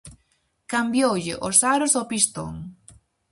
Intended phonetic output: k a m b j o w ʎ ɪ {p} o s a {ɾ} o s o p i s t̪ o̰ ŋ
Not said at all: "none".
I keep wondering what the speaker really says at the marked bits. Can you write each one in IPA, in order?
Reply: ʔ, ɾ

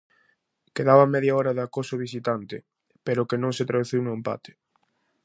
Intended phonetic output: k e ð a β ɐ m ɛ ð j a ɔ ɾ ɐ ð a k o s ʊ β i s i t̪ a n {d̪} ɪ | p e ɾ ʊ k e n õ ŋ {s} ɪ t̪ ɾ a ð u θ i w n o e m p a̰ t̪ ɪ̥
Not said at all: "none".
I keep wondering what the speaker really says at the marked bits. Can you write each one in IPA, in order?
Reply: t̪, s

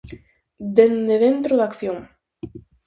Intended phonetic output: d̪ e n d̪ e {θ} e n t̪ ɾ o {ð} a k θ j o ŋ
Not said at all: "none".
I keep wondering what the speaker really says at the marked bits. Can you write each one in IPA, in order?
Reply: ð, ð

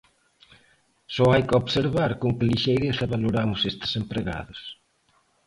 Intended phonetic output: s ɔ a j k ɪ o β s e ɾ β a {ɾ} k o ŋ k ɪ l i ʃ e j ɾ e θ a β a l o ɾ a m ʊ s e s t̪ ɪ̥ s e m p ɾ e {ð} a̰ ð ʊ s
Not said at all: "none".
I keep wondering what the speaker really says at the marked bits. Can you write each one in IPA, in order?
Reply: ɾ, ɣ

